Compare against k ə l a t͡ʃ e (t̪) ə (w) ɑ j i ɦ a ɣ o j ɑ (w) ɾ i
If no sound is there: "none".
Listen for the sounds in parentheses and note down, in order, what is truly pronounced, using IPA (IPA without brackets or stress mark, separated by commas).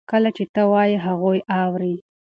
t̪, w, w